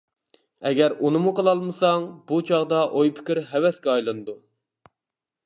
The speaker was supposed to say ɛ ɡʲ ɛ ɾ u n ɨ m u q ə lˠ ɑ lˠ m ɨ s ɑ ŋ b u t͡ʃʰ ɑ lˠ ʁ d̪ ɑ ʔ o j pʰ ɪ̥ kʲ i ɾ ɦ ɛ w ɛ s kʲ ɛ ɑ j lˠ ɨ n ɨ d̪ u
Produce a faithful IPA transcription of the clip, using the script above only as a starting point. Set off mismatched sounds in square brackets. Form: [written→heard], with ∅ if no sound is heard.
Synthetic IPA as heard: ɛ ɡʲ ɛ ɾ u n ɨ m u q ə lˠ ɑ lˠ m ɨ s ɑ ŋ b u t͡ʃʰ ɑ [lˠ→∅] ʁ d̪ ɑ ʔ o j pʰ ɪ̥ kʲ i ɾ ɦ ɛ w ɛ s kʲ ɛ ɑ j lˠ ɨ n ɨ d̪ u